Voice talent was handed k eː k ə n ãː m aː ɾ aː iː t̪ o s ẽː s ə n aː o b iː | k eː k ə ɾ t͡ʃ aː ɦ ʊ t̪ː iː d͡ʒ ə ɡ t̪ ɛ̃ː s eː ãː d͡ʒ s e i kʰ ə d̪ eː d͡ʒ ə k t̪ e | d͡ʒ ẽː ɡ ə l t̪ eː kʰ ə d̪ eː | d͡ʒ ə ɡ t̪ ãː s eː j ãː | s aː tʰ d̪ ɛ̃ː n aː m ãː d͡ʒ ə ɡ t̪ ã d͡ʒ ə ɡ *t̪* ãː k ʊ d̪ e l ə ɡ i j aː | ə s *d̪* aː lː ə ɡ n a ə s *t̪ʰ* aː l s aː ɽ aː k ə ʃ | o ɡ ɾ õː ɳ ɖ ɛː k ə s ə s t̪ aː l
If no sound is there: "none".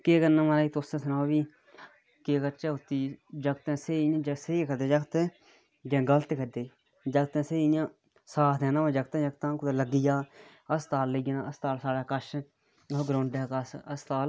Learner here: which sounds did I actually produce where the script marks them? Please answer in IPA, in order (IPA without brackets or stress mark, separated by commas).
t̪, t̪, t̪